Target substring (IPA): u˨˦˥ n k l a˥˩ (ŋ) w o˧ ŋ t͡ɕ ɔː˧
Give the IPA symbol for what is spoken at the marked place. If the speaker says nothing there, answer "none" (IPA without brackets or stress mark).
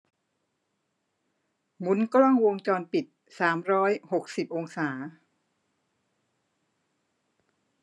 ŋ